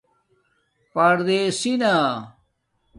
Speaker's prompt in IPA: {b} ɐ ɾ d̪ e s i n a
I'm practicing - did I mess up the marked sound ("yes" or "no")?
yes